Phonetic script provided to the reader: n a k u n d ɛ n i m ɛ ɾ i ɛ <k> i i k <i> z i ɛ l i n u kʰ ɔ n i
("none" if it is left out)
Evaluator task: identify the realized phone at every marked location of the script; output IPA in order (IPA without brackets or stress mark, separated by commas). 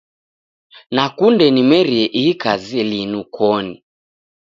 ʔ, a